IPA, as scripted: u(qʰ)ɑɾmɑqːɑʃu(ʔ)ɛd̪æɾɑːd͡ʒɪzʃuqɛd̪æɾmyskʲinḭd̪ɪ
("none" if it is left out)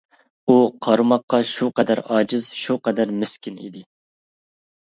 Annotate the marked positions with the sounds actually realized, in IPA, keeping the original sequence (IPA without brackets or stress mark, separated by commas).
qʰ, q